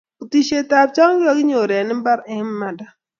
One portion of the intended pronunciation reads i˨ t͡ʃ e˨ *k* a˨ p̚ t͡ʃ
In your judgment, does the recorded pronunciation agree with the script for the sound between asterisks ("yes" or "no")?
no